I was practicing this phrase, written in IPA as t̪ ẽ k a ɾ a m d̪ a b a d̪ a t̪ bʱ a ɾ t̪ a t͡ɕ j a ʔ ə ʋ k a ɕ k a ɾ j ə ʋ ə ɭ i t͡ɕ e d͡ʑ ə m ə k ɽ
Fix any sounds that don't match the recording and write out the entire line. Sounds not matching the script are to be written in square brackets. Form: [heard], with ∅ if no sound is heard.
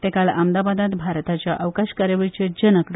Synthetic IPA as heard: t̪ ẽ k a [l] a m d̪ a b a d̪ a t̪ bʱ a ɾ t̪ a t͡ɕ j a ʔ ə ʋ k a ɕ k a ɾ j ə ʋ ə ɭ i t͡ɕ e d͡ʑ ə [n] ə k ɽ